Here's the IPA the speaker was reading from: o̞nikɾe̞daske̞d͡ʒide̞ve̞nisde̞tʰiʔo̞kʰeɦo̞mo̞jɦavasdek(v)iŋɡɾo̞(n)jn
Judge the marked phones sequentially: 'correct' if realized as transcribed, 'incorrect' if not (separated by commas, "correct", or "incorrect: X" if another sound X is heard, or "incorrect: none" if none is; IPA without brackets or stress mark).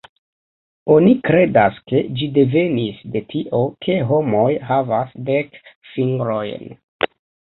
incorrect: f, incorrect: none